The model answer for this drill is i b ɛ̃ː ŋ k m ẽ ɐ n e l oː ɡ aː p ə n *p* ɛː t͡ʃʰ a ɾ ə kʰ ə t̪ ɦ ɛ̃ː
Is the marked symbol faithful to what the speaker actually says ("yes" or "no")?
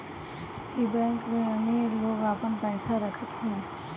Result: yes